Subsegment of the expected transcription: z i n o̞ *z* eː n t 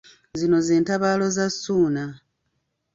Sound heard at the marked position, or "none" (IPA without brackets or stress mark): z